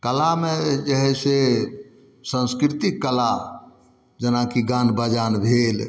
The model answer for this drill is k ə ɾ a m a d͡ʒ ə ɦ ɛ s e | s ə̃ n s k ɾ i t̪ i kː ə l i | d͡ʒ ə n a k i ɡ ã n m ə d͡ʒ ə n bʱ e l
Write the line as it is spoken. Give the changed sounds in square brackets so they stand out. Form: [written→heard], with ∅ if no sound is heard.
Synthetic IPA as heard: k ə [ɾ→l] a m [a→e] d͡ʒ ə ɦ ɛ s e | s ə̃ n s k ɾ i t̪ i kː ə l [i→a] | d͡ʒ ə n a k i ɡ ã n [m→b] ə d͡ʒ [ə→a] n bʱ e l